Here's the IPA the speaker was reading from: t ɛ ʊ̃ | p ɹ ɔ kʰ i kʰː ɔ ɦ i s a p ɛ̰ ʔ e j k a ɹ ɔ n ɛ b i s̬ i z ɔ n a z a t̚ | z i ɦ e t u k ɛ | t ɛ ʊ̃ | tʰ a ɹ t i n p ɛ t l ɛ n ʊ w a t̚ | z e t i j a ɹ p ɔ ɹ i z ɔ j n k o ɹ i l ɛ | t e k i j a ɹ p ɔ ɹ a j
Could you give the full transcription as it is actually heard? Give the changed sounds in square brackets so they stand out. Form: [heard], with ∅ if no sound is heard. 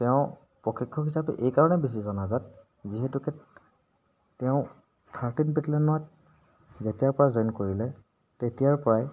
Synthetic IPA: t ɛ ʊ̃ | p ɹ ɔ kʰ i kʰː ɔ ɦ i s a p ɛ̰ ʔ e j k a ɹ ɔ n ɛ b i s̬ i z ɔ n a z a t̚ | z i ɦ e t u k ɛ | t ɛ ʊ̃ | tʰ a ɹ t i n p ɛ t l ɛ n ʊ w a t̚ | z e t i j a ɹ p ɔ ɹ [a] z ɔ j n k o ɹ i l ɛ | t e [t] i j a ɹ p ɔ ɹ a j